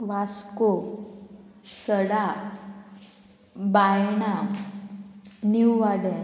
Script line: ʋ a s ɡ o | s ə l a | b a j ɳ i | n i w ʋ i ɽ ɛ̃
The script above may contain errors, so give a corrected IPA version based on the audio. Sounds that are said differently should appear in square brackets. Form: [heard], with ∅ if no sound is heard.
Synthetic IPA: ʋ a s [k] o | s ə [ɽ] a | b a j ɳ [a] | n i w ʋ [a] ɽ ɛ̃